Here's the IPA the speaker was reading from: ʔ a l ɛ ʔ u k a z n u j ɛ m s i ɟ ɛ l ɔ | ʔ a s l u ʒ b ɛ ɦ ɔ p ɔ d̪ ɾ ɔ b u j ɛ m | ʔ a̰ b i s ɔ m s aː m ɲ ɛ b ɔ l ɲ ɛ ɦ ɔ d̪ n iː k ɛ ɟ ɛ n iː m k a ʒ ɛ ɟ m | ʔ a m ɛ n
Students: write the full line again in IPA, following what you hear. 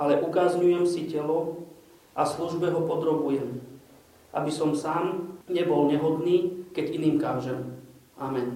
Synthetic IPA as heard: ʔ a l ɛ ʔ u k a z ɲ u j ɛ m s i c ɛ l ɔ | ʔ a s l u ʒ b ɛ ɦ ɔ p ɔ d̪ ɾ ɔ b u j ɛ m | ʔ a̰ b i s ɔ m s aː m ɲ ɛ b ɔ l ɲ ɛ ɦ ɔ d̪ n iː k ɛ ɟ i n iː m k a ʒ ɛ m | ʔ a m ɛ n